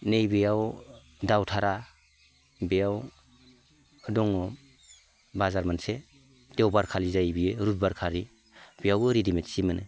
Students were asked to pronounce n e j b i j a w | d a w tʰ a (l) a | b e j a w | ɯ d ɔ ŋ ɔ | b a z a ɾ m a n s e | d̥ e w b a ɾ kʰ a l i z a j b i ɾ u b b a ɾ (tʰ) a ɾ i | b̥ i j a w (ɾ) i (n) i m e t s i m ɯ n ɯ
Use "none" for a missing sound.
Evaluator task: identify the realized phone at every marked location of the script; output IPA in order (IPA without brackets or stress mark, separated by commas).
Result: ɾ, kʰ, ɾ, d